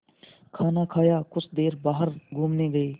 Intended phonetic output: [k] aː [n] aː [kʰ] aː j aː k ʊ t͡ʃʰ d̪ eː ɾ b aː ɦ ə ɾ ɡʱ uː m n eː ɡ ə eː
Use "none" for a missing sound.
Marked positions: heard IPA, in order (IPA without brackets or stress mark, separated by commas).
kʰ, n, kʰ